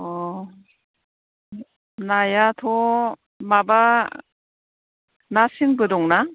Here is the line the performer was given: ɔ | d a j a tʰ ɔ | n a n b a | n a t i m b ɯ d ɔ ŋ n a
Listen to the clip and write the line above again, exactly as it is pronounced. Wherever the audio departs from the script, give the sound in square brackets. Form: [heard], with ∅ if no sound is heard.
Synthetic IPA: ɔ | [n] a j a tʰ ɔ | [m] a [∅] b a | n a [s] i [ŋ] b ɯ d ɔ ŋ n a